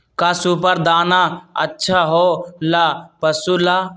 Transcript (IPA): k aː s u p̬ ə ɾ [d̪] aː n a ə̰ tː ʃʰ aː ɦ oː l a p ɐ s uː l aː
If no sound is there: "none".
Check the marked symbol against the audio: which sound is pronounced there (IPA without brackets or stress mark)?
d̪